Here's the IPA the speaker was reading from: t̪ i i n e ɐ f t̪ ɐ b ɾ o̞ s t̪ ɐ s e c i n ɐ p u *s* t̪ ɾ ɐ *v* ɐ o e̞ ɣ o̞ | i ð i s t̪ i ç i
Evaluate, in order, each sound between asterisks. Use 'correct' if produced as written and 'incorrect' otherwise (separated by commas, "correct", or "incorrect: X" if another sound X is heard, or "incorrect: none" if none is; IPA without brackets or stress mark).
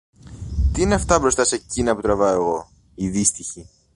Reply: incorrect: none, correct